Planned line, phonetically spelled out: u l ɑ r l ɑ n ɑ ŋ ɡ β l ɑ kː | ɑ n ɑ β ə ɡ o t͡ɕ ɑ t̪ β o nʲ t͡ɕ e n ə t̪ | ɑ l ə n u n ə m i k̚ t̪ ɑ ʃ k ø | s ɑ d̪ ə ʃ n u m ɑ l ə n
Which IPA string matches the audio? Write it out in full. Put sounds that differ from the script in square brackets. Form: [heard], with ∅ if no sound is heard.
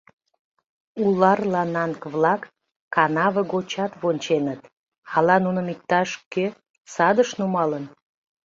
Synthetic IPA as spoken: u l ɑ r l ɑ n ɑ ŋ [k] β l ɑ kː | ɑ n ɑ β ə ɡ o t͡ɕ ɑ t̪ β o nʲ t͡ɕ e n ə t̪ | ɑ l [ɑ] n u n ə m i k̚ t̪ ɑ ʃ k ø | s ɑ d̪ ə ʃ n u m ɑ l ə n